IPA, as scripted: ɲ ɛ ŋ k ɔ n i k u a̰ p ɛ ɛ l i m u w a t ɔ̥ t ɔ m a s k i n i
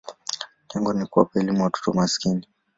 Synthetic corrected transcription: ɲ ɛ ŋ ɡ ɔ n i k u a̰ p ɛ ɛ l i m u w a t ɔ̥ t ɔ m a s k i n i